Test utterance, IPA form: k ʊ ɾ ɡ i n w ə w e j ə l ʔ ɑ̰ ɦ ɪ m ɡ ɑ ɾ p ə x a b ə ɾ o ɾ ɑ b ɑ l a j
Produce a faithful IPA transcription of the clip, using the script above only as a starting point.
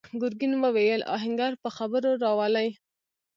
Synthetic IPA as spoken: ɡ ʊ ɾ ɡ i n w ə w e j ə l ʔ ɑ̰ ɦ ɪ ŋ ɡ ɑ ɾ p ə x a b ə ɾ o ɾ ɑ w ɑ l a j

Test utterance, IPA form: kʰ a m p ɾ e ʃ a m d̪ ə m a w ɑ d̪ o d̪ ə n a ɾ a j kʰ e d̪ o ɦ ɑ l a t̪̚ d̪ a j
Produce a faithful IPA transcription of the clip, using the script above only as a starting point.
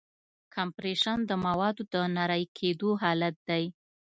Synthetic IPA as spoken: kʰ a m p ɾ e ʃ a n d̪ ə m a w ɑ d̪ o d̪ ə n a ɾ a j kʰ e d̪ o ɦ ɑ l a t̪̚ d̪ a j

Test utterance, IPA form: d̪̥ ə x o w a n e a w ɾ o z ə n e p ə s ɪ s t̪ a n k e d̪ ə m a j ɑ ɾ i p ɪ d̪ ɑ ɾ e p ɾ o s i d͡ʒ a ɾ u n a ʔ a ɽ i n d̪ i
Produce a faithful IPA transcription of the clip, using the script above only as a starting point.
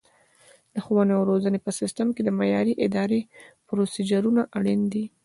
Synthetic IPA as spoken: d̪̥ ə x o w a n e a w ɾ o z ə n e p ə s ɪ s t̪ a m k e d̪ ə m a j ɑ ɾ i ʔ ɪ d̪ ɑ ɾ e p ɾ o s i d͡ʒ a ɾ u n a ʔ a ɽ i n d̪ i

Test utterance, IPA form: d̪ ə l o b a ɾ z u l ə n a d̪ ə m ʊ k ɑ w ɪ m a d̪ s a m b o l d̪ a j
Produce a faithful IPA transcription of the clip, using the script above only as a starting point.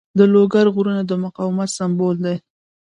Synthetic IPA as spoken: d̪ ə l o ɡ a ɾ ɣ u ɾ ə n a d̪ ə m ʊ q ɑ w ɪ m a t̪ s a m b o l d̪ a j

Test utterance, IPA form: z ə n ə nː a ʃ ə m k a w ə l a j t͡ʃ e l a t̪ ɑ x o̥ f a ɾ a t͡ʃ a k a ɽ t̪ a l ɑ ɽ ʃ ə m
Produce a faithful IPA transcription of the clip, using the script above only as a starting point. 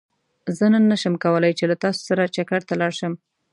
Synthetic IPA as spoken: z ə n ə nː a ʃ ə m k a w ə l a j t͡ʃ e l a t̪ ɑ s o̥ s a ɾ a t͡ʃ a k a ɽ t̪ a l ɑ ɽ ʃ ə m

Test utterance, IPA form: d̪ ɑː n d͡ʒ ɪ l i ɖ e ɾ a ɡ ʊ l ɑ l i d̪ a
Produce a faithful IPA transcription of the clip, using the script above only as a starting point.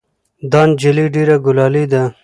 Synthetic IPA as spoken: d̪ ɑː n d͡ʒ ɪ l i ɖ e ɾ a ɡ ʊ l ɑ l i d̪ a

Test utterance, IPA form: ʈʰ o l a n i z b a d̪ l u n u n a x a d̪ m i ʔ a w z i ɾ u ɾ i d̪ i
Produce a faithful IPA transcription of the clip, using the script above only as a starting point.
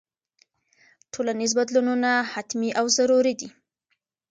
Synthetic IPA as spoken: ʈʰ o l a n i z b a d̪ l u n u n a h a t̪ m i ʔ a w z a ɾ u ɾ i d̪ i

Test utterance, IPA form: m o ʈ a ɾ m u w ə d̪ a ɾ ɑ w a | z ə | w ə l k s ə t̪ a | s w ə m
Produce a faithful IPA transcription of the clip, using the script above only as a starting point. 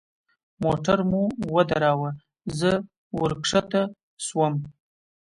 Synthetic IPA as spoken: m o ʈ a ɾ m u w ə d̪ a ɾ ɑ w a | z ə | w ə ɾ k ʂ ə t̪ a | s w ə m

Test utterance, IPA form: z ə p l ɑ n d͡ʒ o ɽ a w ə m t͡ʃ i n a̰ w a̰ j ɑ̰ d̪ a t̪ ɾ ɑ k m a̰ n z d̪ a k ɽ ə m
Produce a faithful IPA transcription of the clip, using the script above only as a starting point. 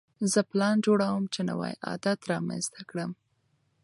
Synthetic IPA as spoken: z ə p l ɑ n d͡ʒ o ɽ a w ə m t͡ʃ e n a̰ w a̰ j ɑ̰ d̪ a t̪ ɾ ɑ m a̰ n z t̪ a k ɽ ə m

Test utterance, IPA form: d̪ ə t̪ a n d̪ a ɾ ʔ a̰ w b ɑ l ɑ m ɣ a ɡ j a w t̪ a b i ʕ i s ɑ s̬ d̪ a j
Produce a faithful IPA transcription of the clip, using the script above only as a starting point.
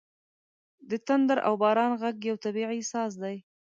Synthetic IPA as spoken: d̪ ə t̪ a n d̪ a ɾ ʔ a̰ w b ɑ ɾ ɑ n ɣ a ɡ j a w t̪ a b i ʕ i s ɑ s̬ d̪ a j

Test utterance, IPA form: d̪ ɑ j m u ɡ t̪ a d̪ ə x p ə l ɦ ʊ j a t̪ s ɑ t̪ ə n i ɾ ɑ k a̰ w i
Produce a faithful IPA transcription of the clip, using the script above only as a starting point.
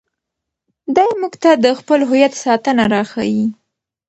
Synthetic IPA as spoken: d̪ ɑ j m u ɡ t̪ a d̪ ə x p ə l ɦ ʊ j a t̪ s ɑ t̪ ə n a ɾ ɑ x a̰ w i

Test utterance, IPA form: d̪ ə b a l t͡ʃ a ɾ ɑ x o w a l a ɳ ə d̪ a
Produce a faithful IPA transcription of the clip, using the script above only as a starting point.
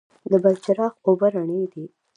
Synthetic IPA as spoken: d̪ ə b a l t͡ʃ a ɾ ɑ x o b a ɾ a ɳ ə d̪ i

